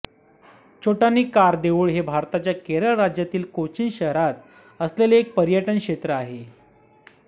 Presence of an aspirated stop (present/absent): absent